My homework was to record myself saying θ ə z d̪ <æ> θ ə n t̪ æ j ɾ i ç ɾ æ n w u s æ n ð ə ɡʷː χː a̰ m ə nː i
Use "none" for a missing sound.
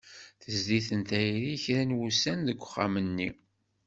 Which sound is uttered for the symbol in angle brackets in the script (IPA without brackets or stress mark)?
i